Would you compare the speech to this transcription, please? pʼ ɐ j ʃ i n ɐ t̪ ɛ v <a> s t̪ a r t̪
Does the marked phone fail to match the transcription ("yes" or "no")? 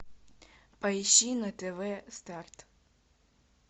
yes